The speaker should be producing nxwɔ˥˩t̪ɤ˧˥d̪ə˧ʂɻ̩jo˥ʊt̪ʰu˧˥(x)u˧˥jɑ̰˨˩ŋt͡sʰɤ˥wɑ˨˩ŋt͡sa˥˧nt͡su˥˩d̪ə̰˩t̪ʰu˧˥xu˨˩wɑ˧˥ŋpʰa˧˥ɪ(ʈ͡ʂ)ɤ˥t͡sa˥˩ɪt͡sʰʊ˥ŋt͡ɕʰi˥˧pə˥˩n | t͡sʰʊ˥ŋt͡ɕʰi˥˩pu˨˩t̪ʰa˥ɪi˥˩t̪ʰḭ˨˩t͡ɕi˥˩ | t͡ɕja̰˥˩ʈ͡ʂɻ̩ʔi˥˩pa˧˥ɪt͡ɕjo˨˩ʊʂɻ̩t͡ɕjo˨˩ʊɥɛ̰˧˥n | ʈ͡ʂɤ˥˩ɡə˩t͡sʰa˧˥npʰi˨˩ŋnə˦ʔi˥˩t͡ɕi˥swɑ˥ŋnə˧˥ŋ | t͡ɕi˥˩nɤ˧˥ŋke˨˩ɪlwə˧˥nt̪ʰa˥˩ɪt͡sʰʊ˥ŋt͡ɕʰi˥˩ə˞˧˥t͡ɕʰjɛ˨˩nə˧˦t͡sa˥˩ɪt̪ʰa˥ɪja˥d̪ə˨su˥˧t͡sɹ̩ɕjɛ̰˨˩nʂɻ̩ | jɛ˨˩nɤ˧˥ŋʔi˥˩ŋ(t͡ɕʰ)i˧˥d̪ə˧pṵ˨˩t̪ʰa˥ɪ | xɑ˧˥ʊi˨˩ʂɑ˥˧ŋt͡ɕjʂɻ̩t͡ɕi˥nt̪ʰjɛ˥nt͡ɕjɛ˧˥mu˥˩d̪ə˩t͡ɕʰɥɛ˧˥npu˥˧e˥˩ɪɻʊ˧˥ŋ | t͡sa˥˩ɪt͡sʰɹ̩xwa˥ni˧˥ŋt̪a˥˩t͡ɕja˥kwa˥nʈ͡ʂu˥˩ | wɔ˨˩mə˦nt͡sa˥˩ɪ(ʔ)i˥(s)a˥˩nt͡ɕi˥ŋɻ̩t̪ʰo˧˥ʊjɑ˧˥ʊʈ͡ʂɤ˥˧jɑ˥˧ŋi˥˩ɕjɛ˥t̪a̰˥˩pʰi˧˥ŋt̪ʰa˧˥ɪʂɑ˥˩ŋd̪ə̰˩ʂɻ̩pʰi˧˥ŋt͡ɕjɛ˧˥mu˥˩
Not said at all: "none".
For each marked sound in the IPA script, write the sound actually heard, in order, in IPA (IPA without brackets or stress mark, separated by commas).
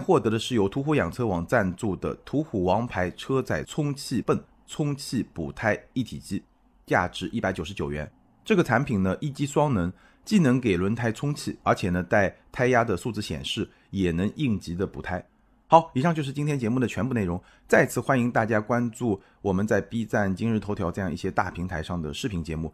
x, ʈ͡ʂʰ, t͡ɕ, p, t͡s